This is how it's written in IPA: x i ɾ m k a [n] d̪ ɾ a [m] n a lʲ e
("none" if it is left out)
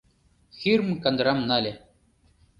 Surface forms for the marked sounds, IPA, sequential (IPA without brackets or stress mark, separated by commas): n, m